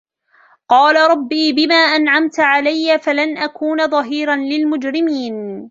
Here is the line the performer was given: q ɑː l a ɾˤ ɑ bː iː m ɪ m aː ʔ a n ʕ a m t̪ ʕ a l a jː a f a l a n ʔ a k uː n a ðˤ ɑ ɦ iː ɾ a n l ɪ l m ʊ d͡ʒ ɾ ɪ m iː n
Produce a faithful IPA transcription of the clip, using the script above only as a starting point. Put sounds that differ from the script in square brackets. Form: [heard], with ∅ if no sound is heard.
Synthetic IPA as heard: q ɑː l a ɾˤ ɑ bː iː [b] ɪ m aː ʔ a n ʕ a m t̪ ʕ a l a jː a f a l a n ʔ a k uː n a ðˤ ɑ ɦ iː ɾ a n l ɪ l m ʊ d͡ʒ ɾ ɪ m iː n